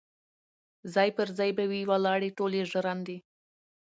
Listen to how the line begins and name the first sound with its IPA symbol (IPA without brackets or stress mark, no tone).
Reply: z